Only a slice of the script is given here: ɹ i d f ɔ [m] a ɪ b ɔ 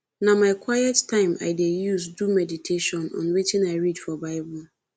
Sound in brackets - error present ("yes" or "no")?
yes